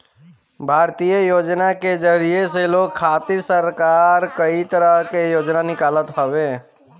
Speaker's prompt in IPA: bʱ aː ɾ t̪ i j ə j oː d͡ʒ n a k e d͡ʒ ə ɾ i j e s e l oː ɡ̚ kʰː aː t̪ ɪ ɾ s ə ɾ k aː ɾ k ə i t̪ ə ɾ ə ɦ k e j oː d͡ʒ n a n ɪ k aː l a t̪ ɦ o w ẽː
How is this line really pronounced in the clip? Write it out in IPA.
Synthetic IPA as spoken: bʱ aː ɾ t̪ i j ə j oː d͡ʒ n a k e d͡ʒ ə ɾ i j e s e l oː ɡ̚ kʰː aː t̪ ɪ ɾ s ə ɾ k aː ɾ k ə i t̪ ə ɾ ə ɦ k e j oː d͡ʒ n a n ɪ k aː l ə t̪ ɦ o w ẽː